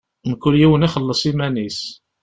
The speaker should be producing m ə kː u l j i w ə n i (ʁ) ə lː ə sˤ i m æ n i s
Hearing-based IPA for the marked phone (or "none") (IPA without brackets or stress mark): χ